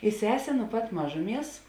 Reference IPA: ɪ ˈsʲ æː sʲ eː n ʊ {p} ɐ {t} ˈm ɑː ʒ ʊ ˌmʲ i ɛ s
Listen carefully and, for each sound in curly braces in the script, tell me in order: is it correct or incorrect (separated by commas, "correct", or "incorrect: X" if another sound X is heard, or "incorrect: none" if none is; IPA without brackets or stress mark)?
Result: correct, correct